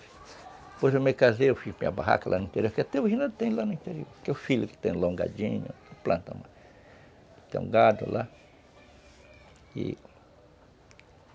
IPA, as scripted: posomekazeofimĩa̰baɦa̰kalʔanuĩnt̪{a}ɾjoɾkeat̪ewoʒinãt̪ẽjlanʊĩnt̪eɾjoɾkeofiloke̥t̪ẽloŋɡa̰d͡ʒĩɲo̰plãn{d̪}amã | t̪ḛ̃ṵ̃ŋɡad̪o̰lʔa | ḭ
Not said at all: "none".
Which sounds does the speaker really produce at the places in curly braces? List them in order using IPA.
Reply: e, t̪

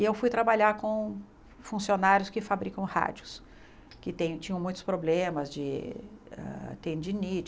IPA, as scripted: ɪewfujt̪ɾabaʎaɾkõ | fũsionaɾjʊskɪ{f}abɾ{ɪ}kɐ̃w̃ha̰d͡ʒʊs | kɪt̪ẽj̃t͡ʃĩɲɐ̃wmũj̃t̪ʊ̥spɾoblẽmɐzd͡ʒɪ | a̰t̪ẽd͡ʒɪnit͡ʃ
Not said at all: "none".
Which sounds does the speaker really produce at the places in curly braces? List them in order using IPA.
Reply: f, i

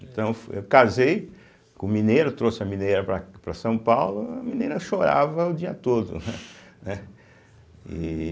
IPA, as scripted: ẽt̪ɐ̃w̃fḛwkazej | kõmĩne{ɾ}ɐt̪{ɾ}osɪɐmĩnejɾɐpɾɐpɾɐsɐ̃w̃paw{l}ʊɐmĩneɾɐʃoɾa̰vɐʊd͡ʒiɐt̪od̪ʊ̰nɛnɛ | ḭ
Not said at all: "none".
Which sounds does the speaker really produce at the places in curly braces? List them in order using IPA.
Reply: ɾ, ɾ, l

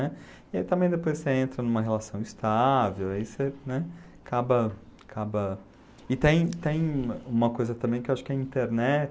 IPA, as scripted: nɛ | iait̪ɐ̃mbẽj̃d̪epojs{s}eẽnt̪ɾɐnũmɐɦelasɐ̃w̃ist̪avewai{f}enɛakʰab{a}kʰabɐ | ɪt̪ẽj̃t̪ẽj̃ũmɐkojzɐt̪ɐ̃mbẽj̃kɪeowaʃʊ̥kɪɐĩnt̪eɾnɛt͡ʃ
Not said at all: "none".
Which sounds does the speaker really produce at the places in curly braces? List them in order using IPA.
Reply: s, s, ɐ

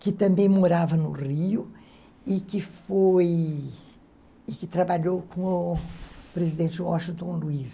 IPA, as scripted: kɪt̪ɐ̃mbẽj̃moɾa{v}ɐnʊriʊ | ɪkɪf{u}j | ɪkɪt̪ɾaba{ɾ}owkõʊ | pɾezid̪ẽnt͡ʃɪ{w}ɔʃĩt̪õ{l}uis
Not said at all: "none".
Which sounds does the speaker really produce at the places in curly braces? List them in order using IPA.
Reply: v, o, ʎ, w, l

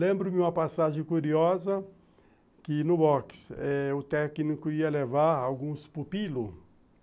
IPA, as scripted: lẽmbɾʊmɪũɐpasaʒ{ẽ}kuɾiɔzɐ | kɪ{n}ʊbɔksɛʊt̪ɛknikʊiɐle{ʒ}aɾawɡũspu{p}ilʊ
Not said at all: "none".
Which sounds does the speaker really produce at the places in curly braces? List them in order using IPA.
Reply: ẽ, n, v, p

